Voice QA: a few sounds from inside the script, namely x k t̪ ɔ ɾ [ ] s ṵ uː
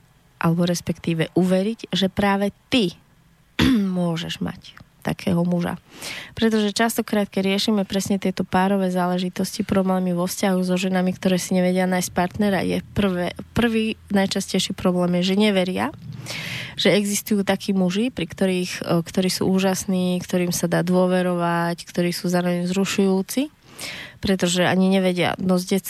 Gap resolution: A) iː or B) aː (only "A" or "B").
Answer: A